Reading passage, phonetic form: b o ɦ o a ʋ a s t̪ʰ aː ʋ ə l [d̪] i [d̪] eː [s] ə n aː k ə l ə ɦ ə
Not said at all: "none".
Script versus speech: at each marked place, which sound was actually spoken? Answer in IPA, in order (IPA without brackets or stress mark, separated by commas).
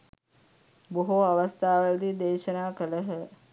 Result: d̪, d̪, ʃ